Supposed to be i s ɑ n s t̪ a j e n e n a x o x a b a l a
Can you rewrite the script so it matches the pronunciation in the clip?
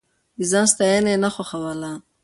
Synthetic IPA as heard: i z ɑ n s t̪ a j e n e n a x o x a w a l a